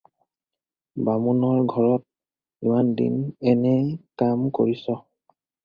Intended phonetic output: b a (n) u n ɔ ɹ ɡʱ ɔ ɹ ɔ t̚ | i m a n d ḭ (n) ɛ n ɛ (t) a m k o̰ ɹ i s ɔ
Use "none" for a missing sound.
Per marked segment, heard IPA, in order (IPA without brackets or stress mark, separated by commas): m, n, k